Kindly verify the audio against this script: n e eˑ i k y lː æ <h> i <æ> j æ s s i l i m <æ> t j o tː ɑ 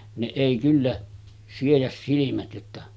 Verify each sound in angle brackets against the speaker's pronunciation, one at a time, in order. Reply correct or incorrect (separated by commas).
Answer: incorrect, incorrect, correct